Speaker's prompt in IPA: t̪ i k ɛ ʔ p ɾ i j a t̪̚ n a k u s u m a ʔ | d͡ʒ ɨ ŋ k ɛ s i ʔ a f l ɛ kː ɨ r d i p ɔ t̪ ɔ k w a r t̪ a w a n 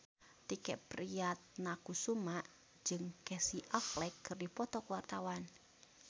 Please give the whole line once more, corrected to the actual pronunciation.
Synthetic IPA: t̪ i k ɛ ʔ p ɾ i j a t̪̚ n a k u s u m a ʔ | d͡ʒ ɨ ŋ k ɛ s i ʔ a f l ɛ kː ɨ r d i p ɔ t̪ ɔ k w a r t̪ a w a n